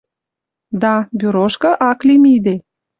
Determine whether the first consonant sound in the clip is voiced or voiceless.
voiced